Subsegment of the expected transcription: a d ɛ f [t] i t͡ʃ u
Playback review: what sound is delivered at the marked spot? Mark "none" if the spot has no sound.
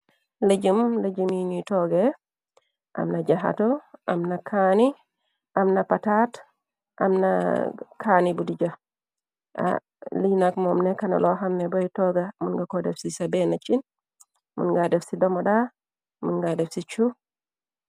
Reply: s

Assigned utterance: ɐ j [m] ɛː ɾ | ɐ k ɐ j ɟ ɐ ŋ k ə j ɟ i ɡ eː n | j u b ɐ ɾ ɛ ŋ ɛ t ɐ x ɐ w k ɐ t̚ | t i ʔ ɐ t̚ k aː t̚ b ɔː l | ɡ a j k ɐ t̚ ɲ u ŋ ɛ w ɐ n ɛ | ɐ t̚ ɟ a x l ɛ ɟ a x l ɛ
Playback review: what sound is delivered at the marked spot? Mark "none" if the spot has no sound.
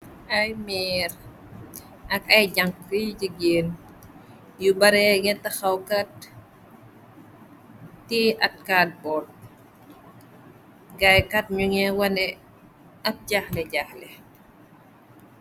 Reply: m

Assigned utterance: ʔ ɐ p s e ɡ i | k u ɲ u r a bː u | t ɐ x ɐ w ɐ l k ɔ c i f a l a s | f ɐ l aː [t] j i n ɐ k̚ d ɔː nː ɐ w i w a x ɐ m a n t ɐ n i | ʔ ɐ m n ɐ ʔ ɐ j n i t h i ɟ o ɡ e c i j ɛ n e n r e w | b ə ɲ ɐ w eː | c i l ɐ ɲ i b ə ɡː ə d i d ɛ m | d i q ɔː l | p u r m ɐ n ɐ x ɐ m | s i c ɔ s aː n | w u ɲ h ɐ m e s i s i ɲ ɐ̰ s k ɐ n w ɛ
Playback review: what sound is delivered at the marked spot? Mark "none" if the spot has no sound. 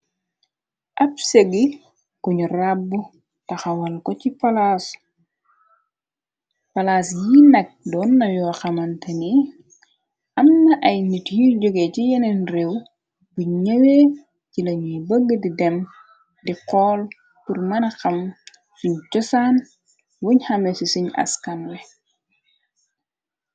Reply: s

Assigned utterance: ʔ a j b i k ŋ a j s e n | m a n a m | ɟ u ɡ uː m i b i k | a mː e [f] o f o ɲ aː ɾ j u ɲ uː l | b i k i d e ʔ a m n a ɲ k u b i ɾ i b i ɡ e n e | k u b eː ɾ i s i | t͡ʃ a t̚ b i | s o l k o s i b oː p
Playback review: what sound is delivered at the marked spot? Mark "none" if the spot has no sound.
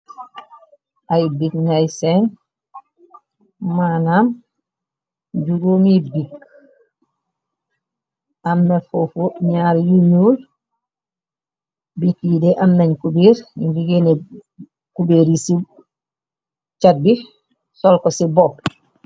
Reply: f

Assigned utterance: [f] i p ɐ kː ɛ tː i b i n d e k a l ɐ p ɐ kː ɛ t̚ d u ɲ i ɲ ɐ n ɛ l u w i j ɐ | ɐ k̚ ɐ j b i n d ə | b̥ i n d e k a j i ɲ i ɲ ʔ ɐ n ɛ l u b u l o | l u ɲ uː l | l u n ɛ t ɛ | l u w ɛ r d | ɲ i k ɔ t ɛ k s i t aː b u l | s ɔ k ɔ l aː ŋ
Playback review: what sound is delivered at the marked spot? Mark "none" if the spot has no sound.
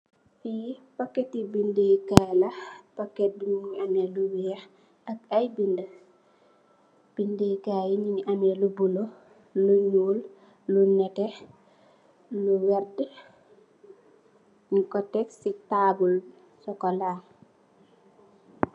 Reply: f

